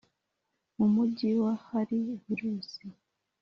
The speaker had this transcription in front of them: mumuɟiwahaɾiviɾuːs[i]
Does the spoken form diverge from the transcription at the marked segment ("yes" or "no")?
no